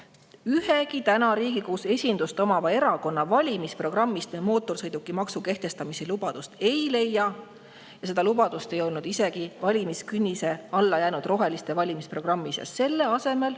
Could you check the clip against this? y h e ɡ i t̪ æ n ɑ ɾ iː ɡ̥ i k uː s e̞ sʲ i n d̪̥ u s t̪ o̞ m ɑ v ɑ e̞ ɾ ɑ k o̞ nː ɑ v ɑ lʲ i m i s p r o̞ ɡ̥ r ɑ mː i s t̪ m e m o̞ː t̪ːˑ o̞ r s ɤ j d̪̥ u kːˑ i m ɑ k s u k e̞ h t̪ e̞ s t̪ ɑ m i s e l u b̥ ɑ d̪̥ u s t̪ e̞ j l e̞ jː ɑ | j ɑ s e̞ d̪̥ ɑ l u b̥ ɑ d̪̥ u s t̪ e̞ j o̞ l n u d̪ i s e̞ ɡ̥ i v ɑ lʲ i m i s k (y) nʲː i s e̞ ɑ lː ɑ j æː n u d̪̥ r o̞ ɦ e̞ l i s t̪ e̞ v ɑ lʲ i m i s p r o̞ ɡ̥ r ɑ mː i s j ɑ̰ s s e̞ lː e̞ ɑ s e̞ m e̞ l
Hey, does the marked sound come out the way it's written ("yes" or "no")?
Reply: yes